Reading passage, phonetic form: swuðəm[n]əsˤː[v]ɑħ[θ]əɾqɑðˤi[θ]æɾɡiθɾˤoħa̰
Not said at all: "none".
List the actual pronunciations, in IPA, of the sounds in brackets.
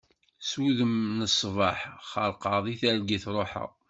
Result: n, v, χ, θ

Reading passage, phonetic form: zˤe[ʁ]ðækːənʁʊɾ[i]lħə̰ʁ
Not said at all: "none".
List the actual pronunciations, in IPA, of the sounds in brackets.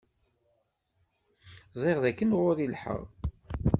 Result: ʁ, i

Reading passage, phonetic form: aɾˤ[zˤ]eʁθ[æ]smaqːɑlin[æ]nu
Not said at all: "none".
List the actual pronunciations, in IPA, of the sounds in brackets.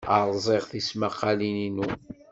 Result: zˤ, i, i

